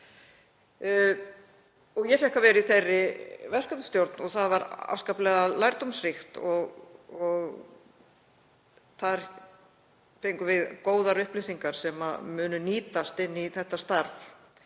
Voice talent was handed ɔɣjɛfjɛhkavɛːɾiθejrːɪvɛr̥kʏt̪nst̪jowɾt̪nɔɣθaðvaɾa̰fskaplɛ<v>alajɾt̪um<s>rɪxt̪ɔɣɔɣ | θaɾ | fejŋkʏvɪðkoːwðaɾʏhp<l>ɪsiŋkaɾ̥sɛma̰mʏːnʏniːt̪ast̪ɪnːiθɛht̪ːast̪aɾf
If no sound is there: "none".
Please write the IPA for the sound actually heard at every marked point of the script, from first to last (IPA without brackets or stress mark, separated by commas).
ɣ, s, l